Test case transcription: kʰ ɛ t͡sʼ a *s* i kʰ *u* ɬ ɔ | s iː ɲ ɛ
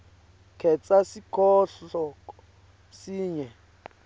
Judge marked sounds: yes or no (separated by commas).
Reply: yes, no